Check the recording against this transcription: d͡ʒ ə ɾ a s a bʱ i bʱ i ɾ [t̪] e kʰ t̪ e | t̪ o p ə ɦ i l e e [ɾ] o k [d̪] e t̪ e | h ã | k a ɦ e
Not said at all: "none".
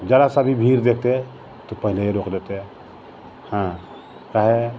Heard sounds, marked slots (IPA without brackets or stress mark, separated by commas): d̪, ɾ, d̪